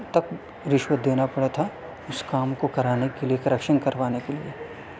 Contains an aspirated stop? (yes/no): yes